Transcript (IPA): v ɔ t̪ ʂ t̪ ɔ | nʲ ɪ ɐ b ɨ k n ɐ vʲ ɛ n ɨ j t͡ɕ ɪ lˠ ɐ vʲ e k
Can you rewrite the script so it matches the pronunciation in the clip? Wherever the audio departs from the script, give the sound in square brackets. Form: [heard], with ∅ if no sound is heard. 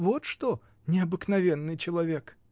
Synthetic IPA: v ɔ t̪ ʂ t̪ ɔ | nʲ ɪ ɐ b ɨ k n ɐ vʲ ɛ [nː] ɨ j t͡ɕ ɪ lˠ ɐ vʲ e k